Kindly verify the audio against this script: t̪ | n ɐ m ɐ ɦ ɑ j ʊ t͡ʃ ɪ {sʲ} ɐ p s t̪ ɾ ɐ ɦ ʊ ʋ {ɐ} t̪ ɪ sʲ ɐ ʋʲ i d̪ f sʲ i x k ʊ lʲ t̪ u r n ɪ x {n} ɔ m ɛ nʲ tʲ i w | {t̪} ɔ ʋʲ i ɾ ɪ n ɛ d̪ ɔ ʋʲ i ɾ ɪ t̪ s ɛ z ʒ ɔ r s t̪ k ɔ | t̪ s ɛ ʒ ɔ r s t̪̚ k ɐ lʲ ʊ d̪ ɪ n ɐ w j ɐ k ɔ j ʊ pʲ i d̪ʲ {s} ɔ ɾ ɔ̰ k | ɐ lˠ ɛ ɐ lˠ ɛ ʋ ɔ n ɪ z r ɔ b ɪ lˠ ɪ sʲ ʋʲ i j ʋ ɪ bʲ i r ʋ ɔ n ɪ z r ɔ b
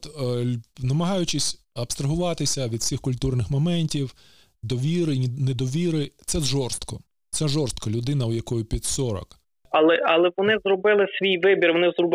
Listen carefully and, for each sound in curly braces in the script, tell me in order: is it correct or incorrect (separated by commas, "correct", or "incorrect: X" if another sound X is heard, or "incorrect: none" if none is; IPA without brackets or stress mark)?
correct, incorrect: ɑ, incorrect: m, incorrect: d̪, correct